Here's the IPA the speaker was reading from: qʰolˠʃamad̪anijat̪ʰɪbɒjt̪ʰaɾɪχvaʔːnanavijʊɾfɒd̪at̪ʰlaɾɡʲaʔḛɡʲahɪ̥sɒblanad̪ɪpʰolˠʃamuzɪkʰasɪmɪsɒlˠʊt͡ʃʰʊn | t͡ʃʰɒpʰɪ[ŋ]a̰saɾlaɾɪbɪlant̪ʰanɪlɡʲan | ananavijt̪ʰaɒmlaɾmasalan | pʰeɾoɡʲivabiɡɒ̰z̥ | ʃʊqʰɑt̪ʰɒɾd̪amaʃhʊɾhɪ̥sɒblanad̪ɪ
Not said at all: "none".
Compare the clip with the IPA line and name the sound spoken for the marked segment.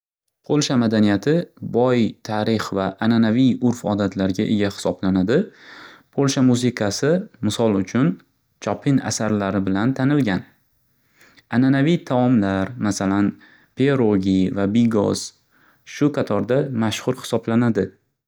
n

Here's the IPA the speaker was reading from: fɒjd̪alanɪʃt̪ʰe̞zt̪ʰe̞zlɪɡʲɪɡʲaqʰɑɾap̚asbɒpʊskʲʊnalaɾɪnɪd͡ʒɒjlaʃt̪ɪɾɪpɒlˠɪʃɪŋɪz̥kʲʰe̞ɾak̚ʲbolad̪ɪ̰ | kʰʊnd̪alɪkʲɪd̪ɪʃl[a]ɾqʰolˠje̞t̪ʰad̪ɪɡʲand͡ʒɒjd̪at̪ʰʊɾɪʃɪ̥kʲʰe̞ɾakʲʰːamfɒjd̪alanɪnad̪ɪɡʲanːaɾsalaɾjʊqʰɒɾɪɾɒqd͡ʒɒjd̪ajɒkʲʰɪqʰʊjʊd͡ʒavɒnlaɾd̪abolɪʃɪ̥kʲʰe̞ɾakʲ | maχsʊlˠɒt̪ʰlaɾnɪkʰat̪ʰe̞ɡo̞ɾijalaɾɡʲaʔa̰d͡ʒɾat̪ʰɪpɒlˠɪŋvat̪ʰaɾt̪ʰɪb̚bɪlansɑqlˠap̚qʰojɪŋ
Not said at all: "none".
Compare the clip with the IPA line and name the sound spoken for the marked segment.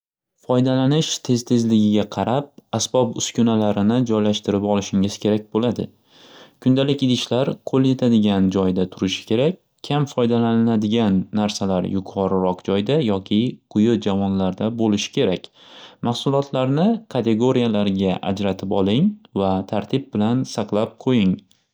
a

